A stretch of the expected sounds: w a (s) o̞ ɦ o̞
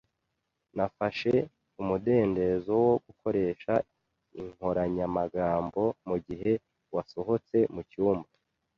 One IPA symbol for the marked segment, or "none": s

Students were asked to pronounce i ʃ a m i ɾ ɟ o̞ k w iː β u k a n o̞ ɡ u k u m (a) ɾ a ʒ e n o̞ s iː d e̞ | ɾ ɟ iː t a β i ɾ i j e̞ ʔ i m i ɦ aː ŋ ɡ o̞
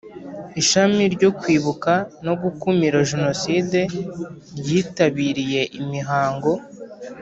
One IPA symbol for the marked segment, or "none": i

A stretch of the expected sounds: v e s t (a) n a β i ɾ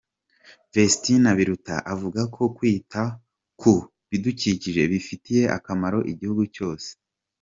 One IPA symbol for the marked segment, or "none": i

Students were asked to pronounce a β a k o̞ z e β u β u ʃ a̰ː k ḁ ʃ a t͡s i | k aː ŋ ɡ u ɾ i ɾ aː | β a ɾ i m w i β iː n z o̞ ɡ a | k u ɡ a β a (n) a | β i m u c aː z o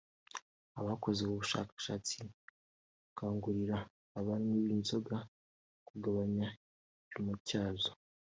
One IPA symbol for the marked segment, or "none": ɲ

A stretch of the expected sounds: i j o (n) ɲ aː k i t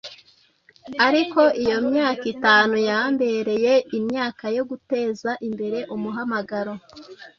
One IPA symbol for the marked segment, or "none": m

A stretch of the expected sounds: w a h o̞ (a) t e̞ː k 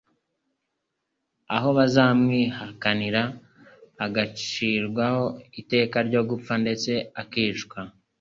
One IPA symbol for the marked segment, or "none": i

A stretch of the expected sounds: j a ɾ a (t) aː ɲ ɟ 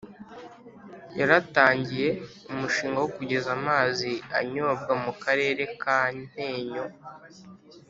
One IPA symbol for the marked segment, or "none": t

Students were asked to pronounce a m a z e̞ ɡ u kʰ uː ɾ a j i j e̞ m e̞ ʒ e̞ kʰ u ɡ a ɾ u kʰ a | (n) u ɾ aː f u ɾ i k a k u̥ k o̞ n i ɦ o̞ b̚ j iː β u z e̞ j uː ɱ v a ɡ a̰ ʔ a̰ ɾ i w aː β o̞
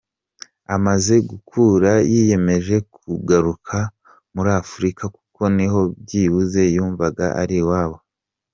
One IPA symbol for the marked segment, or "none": m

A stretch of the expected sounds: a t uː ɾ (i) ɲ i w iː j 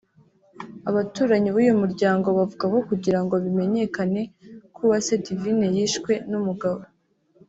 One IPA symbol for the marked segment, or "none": a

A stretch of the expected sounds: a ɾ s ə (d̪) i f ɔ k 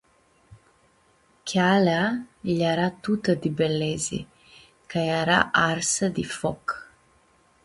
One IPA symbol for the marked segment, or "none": d̪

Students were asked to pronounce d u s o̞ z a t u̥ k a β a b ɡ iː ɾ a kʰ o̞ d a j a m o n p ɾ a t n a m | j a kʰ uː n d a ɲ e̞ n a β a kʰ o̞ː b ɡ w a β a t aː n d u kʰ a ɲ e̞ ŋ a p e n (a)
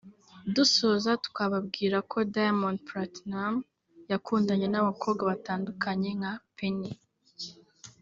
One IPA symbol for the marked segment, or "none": i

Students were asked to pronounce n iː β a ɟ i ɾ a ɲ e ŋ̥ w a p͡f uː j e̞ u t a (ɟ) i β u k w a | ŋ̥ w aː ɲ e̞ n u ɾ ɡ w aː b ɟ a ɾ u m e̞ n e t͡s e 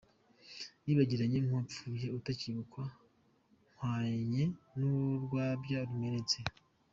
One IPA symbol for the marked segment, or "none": c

